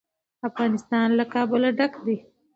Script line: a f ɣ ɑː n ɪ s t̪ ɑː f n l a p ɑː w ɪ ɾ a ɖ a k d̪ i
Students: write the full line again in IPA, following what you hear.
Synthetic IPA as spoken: a f ɣ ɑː n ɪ s t̪ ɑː n l a k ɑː b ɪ l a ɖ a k d̪ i

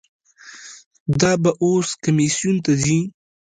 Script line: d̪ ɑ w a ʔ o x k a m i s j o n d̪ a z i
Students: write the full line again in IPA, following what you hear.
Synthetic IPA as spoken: d̪ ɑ b a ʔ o s k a m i s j u n t̪ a z i

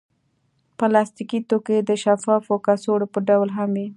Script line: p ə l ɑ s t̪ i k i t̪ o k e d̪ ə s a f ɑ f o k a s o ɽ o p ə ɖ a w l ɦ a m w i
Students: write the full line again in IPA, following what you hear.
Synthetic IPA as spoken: p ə l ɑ s t̪ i k i t̪ o k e d̪ ə ʃ a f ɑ f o k a s o ɽ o p ə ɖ a w l ɦ a m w i

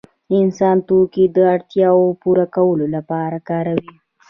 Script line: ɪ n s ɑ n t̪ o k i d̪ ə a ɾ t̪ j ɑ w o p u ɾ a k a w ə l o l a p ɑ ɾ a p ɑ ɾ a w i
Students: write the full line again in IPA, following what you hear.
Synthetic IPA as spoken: ɪ n s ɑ n t̪ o k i d̪ ə a ɽ t̪ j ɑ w o p u ɾ a k a w ə l o l a p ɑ ɾ a k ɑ ɾ a w i

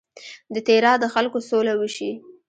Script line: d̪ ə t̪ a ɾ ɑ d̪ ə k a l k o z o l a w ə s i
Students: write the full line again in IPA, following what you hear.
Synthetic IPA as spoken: d̪ ə t̪ e ɾ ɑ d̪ ə x a l k o s o l a w ə ʃ i

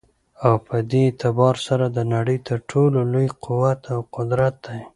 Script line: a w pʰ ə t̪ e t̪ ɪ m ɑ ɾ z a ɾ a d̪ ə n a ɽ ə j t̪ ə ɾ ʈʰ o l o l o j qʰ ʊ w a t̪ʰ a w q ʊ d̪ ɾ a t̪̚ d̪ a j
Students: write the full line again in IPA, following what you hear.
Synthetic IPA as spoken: a w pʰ ə d̪ e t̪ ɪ b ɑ ɾ s a ɾ a d̪ ə n a ɽ ə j t̪ ə ɾ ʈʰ o l o l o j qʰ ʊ w a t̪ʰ a w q ʊ d̪ ɾ a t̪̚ d̪ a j

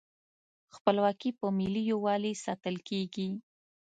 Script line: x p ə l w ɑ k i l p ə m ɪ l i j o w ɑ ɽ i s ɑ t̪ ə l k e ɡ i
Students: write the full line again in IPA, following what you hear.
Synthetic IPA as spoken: x p ə l w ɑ k i p ə m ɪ l i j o w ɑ l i s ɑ t̪ ə l k e ɡ i

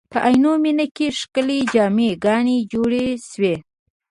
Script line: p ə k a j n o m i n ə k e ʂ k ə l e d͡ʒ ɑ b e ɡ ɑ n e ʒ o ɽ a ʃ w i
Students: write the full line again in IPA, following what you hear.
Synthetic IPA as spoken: p ə ʔ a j n o m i n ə k e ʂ k ə l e d͡ʒ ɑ m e ɡ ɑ n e d͡ʒ o ɽ e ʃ w e

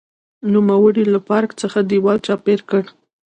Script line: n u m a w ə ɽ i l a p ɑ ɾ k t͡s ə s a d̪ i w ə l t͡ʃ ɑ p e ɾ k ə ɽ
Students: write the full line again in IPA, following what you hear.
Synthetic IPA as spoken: n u m a w ə ɽ i l a p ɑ ɾ k t͡s ə x a d̪ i w ɑ l t͡ʃ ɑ p e ɾ k ə ɽ

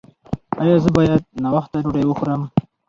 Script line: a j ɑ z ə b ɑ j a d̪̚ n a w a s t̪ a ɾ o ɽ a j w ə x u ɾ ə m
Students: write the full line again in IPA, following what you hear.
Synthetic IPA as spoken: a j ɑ z ə b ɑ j a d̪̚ n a w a x t̪ a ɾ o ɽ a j w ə x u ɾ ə m

